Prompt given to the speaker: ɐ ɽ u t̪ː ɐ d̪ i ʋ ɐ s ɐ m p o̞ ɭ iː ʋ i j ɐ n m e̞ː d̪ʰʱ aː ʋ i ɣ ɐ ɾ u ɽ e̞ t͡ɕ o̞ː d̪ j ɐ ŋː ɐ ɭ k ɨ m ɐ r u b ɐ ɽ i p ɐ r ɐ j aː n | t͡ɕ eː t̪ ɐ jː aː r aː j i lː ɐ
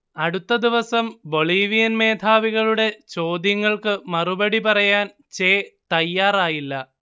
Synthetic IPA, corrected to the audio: ɐ ɽ u t̪ː ɐ d̪ i ʋ ɐ s ɐ m b o̞ ɭ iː ʋ i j ɐ n m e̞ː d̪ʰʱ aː ʋ i ɣ ɐ ɭ u ɽ e̞ t͡ɕ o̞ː d̪ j ɐ ŋː ɐ ɭ k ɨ m ɐ r u b ɐ ɽ i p ɐ r ɐ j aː n | t͡ɕ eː t̪ ɐ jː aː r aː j i lː ɐ